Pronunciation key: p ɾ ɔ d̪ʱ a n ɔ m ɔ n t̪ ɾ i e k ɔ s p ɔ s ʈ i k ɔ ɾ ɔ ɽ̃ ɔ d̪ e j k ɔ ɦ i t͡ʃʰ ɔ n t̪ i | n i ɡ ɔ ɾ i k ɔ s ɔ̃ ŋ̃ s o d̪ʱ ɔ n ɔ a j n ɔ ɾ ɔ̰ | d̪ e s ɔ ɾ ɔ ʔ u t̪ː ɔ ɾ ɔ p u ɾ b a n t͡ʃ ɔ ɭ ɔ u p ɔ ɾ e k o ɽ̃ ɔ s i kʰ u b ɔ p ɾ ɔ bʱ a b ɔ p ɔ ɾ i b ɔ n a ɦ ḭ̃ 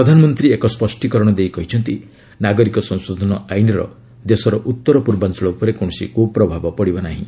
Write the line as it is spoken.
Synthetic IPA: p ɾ ɔ d̪ʱ a n ɔ m ɔ n t̪ ɾ i e k ɔ s p ɔ s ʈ i k ɔ ɾ ɔ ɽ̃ ɔ d̪ e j k ɔ ɦ i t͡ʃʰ ɔ n t̪ i | n a ɡ ɔ ɾ i k ɔ s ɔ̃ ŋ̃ s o d̪ʱ ɔ n ɔ a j n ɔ ɾ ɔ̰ | d̪ e s ɔ ɾ ɔ ʔ u t̪ː ɔ ɾ ɔ p u ɾ b a n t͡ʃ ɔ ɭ ɔ u p ɔ ɾ e k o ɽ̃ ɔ s i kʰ u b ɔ p ɾ ɔ bʱ a b ɔ p ɔ ɽ i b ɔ n a ɦ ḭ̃